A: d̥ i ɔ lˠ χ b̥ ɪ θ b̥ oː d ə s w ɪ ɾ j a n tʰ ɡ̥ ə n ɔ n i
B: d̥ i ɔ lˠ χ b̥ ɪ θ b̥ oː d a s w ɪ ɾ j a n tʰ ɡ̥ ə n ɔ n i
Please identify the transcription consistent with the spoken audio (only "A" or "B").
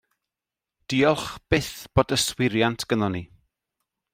A